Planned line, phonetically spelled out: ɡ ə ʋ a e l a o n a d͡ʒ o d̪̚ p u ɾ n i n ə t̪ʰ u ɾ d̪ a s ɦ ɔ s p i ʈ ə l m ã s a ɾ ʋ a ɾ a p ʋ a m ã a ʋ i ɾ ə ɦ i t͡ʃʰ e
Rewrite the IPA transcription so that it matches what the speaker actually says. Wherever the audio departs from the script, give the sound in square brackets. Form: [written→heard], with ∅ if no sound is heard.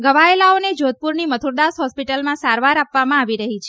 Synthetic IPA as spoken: ɡ ə ʋ a e l a o n [a→e] d͡ʒ o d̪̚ p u ɾ n i [n→m] ə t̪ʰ u ɾ d̪ a s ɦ ɔ s p i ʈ ə l m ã s a ɾ ʋ a ɾ a p ʋ a m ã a ʋ i ɾ ə ɦ i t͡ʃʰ e